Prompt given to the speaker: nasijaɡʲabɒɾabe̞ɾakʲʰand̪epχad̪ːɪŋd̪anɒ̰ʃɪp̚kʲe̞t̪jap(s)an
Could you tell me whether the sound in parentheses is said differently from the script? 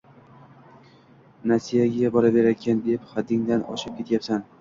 no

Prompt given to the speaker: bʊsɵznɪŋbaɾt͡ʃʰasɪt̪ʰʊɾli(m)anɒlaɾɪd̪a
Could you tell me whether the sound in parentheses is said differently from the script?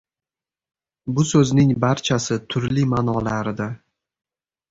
no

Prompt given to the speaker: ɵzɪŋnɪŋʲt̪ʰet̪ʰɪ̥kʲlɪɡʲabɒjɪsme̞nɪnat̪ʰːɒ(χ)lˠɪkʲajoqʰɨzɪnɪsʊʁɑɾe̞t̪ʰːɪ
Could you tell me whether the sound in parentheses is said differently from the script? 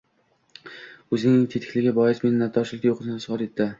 yes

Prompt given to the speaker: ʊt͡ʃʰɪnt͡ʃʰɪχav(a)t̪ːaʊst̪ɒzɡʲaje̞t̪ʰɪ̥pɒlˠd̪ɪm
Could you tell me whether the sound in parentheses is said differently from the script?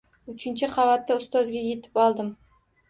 no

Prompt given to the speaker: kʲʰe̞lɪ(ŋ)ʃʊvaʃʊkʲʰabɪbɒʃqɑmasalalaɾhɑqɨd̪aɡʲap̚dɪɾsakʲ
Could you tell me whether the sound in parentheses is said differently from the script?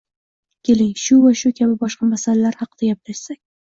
no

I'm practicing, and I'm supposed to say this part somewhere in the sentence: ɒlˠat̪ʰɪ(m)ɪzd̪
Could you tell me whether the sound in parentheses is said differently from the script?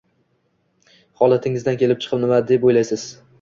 yes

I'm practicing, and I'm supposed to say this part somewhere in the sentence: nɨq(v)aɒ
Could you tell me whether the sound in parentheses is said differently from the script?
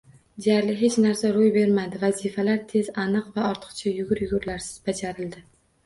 no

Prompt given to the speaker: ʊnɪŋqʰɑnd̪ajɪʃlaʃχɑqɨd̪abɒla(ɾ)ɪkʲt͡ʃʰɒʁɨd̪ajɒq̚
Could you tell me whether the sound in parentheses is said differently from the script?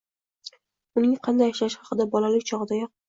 yes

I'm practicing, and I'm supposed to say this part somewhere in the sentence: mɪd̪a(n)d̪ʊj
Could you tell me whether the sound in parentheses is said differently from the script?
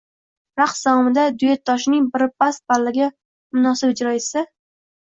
yes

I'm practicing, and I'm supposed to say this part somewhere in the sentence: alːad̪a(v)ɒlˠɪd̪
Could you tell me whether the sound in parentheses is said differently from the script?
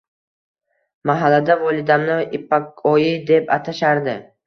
no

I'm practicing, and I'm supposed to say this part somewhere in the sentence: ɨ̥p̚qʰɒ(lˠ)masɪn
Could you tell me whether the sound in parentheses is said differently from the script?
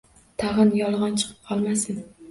no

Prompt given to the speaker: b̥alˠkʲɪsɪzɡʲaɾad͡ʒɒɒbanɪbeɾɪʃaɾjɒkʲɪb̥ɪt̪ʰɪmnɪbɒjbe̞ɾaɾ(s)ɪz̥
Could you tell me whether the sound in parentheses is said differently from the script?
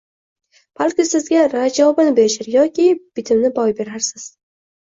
no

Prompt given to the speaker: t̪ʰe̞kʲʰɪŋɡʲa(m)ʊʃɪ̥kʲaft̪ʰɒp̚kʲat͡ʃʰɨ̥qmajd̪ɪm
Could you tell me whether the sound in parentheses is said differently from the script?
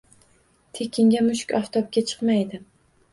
no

